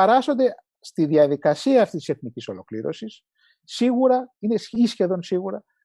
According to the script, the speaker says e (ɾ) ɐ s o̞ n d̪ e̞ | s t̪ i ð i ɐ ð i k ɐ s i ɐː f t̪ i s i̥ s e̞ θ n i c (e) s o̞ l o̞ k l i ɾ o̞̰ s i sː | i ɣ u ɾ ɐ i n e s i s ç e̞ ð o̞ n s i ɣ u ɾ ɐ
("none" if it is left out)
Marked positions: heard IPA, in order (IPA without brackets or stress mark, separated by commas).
ɾ, i